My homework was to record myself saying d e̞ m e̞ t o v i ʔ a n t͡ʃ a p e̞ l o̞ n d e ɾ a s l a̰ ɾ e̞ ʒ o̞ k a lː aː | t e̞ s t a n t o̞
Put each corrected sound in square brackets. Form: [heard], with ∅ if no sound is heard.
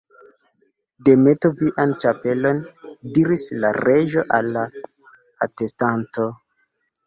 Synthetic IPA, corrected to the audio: d e̞ m e̞ t o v i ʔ a n t͡ʃ a p e̞ l o̞ n d [i] ɾ [i] s l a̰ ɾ e̞ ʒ o̞ [ʔ] a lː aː | t e̞ s t a n t o̞